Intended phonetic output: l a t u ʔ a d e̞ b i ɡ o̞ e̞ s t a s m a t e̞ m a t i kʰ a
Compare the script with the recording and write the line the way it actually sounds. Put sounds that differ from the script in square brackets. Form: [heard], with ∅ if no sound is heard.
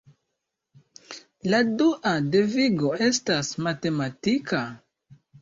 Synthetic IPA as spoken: l a [d] u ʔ a d e̞ [v] i ɡ o̞ e̞ s t a s m a t e̞ m a t i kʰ a